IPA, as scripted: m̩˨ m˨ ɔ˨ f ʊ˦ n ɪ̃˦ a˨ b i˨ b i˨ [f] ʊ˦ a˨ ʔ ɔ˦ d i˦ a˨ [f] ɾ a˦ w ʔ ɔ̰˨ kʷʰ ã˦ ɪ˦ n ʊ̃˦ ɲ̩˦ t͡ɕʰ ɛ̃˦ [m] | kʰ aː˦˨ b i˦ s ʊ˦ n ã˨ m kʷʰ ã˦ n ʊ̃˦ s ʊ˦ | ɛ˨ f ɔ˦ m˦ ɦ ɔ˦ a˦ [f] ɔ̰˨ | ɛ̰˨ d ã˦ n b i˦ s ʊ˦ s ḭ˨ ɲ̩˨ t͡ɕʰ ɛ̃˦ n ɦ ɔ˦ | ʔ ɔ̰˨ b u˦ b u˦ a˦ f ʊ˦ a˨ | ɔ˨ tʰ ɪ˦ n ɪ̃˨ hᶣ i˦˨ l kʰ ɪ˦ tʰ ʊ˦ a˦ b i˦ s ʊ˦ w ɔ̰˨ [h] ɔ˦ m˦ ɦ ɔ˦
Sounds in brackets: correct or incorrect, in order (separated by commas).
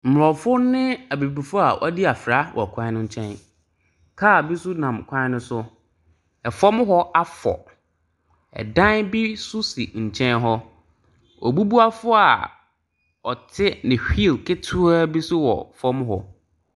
correct, correct, incorrect, correct, incorrect